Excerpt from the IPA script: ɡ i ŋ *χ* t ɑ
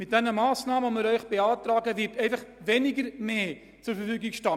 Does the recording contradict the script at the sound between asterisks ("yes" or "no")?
yes